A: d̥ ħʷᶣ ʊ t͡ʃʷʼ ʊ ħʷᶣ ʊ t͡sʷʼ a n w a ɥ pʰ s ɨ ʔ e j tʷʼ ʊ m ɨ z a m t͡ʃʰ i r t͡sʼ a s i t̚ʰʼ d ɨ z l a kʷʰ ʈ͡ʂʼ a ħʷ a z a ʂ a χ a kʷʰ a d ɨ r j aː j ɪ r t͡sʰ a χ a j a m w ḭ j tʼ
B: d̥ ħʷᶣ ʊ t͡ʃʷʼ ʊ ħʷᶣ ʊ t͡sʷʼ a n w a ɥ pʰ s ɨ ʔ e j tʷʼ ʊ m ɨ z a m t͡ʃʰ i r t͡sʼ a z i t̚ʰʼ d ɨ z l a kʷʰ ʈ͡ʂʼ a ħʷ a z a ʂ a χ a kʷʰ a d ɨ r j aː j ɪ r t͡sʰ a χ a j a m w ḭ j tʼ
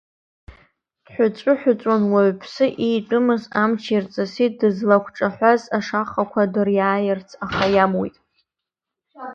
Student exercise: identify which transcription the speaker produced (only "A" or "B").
A